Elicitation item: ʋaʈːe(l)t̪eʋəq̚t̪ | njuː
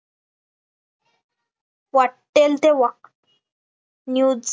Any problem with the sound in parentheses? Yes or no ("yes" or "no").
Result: no